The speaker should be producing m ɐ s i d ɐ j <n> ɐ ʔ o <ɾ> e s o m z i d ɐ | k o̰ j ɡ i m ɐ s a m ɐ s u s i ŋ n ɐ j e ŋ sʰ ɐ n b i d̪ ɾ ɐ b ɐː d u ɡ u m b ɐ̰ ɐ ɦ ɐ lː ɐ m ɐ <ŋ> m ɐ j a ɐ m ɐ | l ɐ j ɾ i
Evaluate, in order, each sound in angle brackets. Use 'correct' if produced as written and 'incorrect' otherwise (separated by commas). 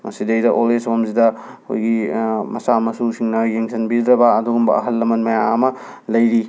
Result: incorrect, incorrect, incorrect